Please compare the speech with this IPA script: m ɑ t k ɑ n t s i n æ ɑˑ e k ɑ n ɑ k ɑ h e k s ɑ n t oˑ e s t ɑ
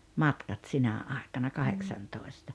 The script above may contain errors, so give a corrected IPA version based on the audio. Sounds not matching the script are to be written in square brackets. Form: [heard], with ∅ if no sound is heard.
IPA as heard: m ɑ t k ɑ [∅] t s i n æ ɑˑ e k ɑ n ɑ k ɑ h e k s ɑ n t oˑ e s t ɑ